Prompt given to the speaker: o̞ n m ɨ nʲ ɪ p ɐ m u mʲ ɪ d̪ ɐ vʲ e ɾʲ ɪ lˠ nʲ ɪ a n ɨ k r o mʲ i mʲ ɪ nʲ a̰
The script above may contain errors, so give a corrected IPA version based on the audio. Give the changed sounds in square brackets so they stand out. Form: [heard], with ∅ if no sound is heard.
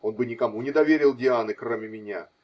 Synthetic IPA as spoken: o̞ n [b] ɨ nʲ ɪ [k] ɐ m u [nʲ] ɪ d̪ ɐ vʲ e ɾʲ ɪ lˠ [dʲ] ɪ a n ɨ k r o mʲ [ɪ] mʲ ɪ nʲ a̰